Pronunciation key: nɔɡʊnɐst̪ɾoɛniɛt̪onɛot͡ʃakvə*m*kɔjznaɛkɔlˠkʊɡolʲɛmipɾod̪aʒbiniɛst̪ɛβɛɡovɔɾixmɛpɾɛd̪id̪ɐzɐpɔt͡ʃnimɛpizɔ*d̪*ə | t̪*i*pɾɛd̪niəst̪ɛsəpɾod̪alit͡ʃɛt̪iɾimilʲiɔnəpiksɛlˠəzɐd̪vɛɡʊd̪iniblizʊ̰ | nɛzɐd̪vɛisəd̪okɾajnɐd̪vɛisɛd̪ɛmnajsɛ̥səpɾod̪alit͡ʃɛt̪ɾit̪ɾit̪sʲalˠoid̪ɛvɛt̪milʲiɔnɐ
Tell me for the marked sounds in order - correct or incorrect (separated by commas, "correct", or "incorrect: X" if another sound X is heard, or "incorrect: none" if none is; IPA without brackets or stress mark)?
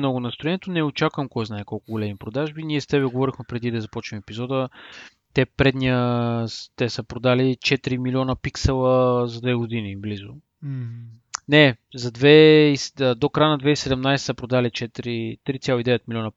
correct, correct, incorrect: ɛ